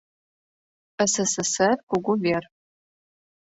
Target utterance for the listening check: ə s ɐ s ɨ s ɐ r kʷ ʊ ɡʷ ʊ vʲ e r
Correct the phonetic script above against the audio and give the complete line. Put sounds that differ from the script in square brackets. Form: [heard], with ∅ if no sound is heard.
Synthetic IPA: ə s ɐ s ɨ s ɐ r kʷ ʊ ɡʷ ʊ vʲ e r